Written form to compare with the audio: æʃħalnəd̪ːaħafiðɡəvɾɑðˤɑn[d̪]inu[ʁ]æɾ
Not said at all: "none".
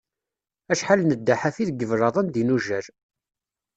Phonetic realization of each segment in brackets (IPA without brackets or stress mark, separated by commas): d̪, ʒ